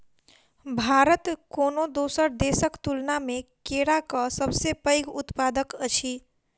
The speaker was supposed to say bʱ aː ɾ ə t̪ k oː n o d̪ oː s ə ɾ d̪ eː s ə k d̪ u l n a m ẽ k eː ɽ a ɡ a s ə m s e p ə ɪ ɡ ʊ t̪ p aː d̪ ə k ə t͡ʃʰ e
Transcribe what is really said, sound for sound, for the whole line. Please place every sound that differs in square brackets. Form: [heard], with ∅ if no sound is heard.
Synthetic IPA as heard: bʱ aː ɾ ə t̪ k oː n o d̪ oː s ə ɾ d̪ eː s ə k [t̪] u l n a m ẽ k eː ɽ a [k] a s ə [b] s e p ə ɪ ɡ ʊ t̪ p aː d̪ ə k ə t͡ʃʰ [i]